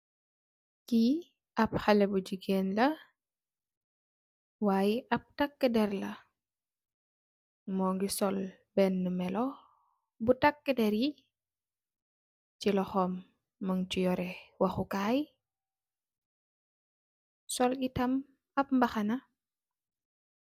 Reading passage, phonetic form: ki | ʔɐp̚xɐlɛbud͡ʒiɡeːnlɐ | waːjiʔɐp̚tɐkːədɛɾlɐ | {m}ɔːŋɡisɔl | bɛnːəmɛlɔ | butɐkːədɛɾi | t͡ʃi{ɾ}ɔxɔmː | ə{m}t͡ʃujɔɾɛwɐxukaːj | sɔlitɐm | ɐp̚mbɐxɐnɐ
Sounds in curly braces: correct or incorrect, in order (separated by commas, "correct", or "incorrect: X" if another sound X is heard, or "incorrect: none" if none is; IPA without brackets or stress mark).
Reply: correct, incorrect: l, incorrect: ŋ